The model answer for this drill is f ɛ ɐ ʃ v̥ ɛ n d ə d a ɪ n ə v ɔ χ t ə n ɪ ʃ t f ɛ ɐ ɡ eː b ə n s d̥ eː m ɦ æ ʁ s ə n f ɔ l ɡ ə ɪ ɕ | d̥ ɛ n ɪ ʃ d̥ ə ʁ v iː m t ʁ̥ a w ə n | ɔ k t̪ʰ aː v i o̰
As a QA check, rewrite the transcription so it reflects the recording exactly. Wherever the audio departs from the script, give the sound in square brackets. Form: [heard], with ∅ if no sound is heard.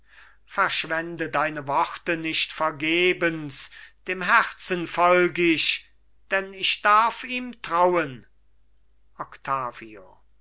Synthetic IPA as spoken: f ɛ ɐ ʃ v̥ ɛ n d ə d a ɪ n ə v ɔ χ t ə n ɪ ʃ t f ɛ ɐ ɡ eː b ə n s d̥ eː m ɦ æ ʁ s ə n f ɔ l ɡ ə ɪ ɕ | d̥ ɛ n ɪ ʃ d̥ [a] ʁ [f] iː m t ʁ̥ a w ə n | ɔ k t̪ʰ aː v i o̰